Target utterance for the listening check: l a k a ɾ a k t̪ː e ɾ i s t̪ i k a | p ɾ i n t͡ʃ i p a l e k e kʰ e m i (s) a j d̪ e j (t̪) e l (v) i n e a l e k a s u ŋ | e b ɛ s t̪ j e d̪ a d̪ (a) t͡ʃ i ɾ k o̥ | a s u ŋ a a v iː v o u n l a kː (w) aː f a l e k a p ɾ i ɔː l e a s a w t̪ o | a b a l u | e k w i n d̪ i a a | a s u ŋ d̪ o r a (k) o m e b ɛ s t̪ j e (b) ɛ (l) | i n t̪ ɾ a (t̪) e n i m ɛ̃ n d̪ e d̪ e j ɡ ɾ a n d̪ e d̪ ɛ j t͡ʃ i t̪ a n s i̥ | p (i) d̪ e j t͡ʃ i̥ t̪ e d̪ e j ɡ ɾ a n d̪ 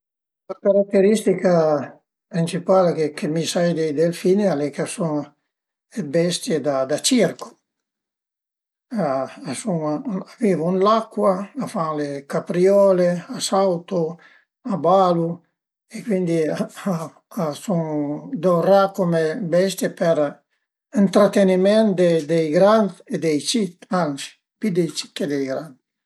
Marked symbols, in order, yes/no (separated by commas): yes, no, no, yes, yes, yes, no, no, yes, yes